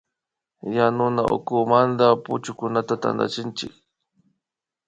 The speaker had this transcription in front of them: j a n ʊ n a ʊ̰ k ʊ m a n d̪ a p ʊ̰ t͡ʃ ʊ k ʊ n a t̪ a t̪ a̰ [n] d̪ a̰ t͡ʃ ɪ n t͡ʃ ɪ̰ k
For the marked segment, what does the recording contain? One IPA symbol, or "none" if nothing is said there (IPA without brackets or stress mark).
n